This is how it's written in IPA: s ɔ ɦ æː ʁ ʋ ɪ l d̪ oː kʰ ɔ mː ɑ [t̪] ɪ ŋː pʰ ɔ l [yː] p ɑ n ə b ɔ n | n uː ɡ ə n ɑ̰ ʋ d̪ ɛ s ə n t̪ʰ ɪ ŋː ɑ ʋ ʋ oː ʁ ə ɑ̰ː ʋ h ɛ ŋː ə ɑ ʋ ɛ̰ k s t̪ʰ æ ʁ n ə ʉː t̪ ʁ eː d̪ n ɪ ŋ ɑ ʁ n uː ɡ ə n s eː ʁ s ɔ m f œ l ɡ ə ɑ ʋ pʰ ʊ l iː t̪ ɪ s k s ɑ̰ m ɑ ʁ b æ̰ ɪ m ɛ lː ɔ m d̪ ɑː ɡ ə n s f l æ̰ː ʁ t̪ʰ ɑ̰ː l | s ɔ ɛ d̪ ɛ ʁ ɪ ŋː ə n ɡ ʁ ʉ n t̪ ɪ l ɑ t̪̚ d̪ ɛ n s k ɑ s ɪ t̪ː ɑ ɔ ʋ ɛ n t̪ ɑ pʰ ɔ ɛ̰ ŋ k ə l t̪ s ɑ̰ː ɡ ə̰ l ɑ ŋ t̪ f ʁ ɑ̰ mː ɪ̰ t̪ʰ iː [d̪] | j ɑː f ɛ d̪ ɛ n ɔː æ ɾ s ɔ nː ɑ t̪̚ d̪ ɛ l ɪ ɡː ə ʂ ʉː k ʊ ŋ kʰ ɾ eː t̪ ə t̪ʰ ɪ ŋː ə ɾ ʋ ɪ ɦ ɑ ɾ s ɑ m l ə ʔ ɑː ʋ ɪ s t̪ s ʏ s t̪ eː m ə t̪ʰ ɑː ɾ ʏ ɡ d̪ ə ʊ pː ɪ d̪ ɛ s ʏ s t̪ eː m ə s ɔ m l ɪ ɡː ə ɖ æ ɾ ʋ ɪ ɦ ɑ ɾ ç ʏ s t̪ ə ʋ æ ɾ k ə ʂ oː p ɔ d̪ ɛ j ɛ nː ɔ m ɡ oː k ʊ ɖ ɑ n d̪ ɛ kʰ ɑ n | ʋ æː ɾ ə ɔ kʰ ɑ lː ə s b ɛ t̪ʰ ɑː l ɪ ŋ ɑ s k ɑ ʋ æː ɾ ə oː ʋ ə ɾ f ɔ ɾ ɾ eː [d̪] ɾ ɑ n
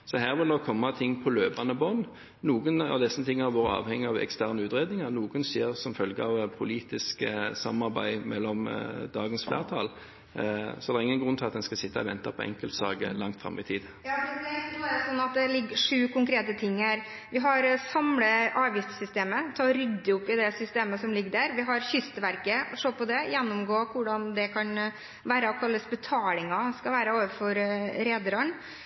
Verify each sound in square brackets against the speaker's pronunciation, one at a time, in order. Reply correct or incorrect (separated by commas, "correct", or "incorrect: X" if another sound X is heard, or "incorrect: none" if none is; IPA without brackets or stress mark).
incorrect: t̪ʰ, incorrect: øː, correct, correct